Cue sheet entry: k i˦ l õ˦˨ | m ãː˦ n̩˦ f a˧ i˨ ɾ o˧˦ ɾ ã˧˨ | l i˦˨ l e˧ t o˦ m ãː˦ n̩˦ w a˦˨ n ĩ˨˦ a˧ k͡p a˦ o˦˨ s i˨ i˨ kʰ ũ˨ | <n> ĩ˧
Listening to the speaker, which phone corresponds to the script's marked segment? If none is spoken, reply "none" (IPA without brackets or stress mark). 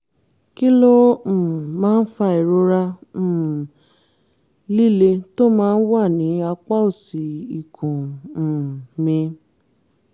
m